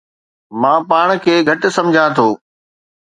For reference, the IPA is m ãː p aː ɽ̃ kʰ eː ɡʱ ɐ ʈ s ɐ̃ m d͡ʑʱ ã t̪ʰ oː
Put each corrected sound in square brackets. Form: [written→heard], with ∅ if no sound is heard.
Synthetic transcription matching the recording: m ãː p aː ɽ̃ kʰ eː ɡʱ ɐ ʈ s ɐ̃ m d͡ʑʱ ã t̪ʰ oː